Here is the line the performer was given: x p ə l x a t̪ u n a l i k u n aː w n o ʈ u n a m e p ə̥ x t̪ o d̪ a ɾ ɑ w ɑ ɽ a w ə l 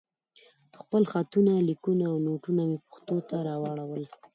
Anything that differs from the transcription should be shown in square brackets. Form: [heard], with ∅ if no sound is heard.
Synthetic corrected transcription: x p ə l x a t̪ u n a l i k u n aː w n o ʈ u n a m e p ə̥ x t̪ o [t̪] a ɾ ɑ w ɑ ɽ a w ə l